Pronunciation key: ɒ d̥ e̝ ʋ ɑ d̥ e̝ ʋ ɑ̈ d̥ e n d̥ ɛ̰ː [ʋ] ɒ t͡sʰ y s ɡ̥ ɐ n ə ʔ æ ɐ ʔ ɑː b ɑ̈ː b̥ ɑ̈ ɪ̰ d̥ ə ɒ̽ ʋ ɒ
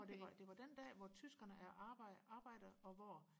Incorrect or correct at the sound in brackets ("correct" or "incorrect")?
correct